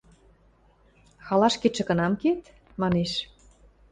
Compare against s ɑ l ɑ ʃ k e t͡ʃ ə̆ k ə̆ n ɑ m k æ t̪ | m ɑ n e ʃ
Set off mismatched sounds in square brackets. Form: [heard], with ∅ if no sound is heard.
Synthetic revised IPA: [x] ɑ l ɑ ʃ k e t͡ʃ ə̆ k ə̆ n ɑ m k [e] t̪ | m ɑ n e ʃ